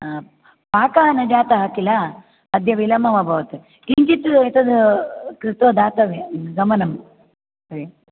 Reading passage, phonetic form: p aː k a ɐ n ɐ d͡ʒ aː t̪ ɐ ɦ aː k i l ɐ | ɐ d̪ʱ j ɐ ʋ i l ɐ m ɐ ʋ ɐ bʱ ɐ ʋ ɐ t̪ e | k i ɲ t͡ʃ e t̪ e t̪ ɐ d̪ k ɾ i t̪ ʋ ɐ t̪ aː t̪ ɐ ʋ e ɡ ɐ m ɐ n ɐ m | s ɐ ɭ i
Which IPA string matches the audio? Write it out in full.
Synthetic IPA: p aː k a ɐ n ɐ d͡ʒ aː t̪ ɐ ɦ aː k i l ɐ | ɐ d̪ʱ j ɐ ʋ i l ɐ m ɐ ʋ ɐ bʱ ɐ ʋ ɐ t̪ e | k i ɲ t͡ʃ i t̪ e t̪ ɐ d̪ k ɾ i t̪ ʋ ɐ d̪ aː t̪ ɐ ʋ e ɡ ɐ m ɐ n ɐ m | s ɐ ɾ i